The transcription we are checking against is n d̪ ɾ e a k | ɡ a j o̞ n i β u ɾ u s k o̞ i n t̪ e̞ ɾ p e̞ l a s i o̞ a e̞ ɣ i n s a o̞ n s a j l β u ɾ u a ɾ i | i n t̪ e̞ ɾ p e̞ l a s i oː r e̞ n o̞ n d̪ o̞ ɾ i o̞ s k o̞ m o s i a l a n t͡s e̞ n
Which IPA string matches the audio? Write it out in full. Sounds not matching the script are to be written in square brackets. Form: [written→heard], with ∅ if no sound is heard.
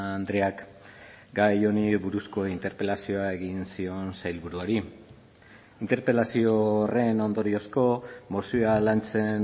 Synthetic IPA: n d̪ ɾ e a k | ɡ a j o̞ n i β u ɾ u s k o̞ i n t̪ e̞ ɾ p e̞ l a s i o̞ a e̞ ɣ i n s [a→i] o̞ n s a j l β u ɾ u a ɾ i | i n t̪ e̞ ɾ p e̞ l a s i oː r e̞ n o̞ n d̪ o̞ ɾ i o̞ s k o̞ m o s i a l a n t͡s e̞ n